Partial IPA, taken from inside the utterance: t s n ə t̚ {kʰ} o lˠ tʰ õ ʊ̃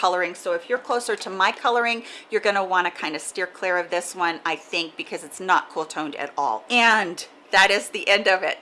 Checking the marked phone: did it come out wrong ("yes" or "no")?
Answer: no